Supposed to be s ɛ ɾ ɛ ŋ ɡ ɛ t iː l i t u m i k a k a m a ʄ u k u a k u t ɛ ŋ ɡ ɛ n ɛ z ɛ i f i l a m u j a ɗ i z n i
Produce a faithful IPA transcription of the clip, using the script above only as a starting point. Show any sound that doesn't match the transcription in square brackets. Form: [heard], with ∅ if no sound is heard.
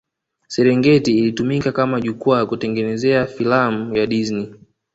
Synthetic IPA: s ɛ ɾ ɛ ŋ ɡ ɛ t iː l i t u m i k a k a m a ʄ u k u a k u t ɛ ŋ ɡ ɛ n ɛ z ɛ [a] f i l a m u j a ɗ i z n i